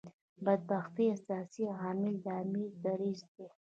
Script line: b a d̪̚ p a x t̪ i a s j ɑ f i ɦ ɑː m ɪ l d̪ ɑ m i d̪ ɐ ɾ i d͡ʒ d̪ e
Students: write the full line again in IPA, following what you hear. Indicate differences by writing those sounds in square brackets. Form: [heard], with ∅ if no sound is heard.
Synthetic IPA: b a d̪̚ [b] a x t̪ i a s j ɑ [s] i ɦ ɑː m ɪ l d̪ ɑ m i d̪ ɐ ɾ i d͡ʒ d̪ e

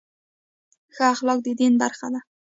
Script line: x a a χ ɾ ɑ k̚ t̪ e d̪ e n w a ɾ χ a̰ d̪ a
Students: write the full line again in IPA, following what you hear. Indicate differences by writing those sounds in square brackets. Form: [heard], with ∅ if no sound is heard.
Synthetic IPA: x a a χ [l] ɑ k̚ [d̪] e d̪ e n [b] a ɾ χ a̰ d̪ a

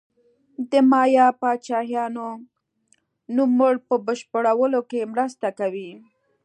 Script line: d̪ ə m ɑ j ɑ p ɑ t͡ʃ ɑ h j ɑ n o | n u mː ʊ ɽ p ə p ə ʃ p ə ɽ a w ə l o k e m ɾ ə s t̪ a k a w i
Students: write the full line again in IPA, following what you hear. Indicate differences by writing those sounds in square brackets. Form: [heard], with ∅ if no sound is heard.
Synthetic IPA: d̪ ə m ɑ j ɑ p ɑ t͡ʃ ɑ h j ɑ n o | n u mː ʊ ɽ p ə [b] ə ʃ p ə ɽ a w ə l o k e m ɾ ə s t̪ a k a w i

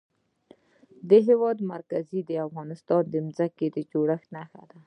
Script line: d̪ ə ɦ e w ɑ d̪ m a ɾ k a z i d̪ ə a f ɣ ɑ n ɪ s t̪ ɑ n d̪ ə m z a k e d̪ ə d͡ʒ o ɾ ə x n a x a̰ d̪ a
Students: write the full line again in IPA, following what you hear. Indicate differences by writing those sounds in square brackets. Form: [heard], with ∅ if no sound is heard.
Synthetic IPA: d̪ ə ɦ e w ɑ d̪ m a ɾ k a z i d̪ ə a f ɣ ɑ n ɪ s t̪ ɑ n d̪ ə m z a k e d̪ ə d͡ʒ o [ɽ] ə x n a x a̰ d̪ a

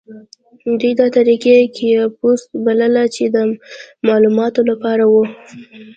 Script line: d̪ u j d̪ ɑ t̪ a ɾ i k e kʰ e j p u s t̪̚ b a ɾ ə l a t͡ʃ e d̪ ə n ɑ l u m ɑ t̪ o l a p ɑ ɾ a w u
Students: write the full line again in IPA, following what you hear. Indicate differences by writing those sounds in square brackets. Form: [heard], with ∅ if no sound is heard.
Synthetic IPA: d̪ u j d̪ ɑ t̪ a ɾ i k e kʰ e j p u s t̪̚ b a [l] ə l a t͡ʃ e d̪ ə [m] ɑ l u m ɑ t̪ o l a p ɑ ɾ a w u

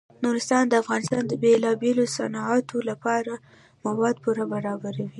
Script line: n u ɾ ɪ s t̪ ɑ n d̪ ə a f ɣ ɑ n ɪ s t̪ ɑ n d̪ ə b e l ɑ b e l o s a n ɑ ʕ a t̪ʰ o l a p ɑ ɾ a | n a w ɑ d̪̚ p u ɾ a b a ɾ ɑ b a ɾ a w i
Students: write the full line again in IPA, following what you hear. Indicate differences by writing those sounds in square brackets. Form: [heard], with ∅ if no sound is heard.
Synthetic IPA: n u ɾ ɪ s t̪ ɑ n d̪ ə a f ɣ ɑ n ɪ s t̪ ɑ n d̪ ə b e l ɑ b e l o s a n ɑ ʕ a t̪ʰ o l a p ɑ ɾ a | [m] a w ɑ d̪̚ p u ɾ a b a ɾ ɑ b a ɾ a w i

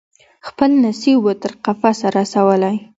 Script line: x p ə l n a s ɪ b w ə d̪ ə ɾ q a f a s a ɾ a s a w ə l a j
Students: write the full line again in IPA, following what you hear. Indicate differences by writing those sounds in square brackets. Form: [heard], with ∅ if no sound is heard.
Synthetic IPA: x p ə l n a s [i] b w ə [t̪] ə ɾ q a f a s a ɾ a s a w ə l a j

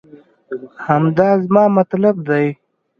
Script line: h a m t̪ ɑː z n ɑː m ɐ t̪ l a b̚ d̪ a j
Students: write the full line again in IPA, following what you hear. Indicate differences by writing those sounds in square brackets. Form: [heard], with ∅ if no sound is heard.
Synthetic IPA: h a m [d̪] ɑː z [m] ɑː m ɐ t̪ l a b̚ d̪ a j

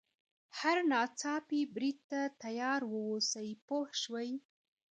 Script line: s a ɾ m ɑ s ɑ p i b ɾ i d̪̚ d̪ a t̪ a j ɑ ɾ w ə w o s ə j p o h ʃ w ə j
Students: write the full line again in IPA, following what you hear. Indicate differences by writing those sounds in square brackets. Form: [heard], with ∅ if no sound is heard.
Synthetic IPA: [h] a ɾ [n] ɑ [t͡s] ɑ p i b ɾ i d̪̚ [t̪] a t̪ a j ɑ ɾ w ə w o s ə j p o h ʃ w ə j

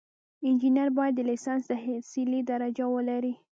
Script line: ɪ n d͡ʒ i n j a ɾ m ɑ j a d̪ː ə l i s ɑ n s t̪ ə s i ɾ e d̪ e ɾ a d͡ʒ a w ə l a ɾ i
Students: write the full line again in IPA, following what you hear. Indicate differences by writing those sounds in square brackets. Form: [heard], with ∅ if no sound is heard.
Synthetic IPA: ɪ n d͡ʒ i n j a ɾ [b] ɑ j a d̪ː ə l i s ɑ n s [d̪] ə s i [l] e d̪ [a] ɾ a d͡ʒ a w ə l a ɾ i

